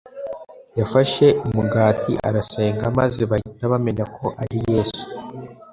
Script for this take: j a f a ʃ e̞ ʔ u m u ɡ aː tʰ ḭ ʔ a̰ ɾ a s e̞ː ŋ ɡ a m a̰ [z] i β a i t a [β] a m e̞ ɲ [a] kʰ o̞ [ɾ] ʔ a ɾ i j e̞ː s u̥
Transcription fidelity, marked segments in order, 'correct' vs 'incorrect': correct, correct, correct, incorrect

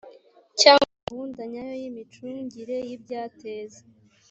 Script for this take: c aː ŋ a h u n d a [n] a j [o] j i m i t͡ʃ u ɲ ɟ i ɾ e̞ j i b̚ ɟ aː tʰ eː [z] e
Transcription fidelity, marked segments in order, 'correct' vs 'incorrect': incorrect, correct, correct

